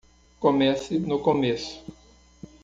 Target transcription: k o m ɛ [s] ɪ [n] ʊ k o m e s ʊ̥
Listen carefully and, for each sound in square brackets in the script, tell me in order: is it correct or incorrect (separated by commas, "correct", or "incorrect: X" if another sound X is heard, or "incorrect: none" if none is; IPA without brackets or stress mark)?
correct, correct